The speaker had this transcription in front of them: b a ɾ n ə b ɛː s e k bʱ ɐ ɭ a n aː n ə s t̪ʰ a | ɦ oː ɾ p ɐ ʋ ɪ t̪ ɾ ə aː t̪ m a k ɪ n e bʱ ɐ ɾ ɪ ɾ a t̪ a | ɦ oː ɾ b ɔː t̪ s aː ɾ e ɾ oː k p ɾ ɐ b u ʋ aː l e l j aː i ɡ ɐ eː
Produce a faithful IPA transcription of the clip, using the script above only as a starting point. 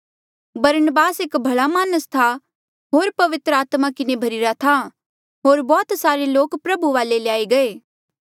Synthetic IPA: b ɐ ɾ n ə b aː s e k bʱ ɐ ɭ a m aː n ə s t̪ʰ a | ɦ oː ɾ p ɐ ʋ ɪ t̪ ɾ ə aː t̪ m a k ɪ n e bʱ ɐ ɾ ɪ ɾ a t̪ʰ a | ɦ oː ɾ b ɔː t̪ s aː ɾ e l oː k p ɾ ɐ b u ʋ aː l e l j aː i ɡ ɐ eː